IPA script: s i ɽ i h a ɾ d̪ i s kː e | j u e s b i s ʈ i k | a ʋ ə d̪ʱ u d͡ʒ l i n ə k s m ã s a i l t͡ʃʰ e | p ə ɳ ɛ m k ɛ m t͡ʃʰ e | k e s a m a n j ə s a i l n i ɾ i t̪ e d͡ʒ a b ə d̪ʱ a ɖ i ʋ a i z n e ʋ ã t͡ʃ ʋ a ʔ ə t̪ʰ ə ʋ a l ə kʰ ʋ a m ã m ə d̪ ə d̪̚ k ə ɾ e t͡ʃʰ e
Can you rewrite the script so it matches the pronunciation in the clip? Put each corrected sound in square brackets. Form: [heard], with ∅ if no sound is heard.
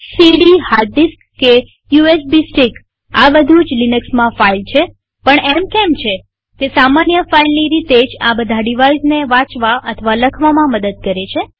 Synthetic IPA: s i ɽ i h a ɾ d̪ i s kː e | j u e s b i s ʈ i k | a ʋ ə d̪ʱ u d͡ʒ l i n ə k s m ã [f] a i l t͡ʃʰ e | p ə ɳ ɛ m k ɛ m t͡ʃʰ e | k e s a m a n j ə [f] a i l n i ɾ i t̪ e d͡ʒ a b ə d̪ʱ a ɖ i ʋ a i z n e ʋ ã t͡ʃ ʋ a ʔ ə t̪ʰ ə ʋ a l ə kʰ ʋ a m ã m ə d̪ ə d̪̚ k ə ɾ e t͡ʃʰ e